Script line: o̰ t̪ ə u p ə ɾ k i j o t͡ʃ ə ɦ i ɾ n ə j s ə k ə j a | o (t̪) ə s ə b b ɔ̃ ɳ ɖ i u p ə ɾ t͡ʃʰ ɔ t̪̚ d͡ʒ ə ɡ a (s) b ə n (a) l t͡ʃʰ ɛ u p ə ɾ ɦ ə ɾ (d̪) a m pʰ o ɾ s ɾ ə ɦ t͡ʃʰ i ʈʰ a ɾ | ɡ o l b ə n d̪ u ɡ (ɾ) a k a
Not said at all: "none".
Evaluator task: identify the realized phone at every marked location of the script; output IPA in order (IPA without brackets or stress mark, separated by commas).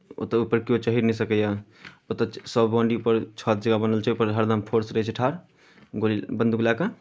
t̪, none, ə, d̪, l